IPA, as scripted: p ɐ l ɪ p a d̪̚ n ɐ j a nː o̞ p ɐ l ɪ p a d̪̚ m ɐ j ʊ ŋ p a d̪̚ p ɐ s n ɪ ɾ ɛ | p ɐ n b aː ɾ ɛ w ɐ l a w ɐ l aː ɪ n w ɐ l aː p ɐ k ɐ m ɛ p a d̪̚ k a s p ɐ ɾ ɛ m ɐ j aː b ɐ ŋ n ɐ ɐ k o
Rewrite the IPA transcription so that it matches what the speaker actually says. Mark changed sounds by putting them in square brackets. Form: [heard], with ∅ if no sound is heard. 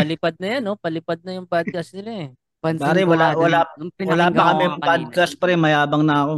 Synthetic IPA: p ɐ l ɪ p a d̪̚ n ɐ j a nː o̞ p ɐ l ɪ p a d̪̚ [n] ɐ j ʊ ŋ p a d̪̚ [k] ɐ s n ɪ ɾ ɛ | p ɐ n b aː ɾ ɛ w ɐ l a w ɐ l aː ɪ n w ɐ l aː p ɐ k ɐ m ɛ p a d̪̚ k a s p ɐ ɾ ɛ m ɐ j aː b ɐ ŋ n ɐ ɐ k o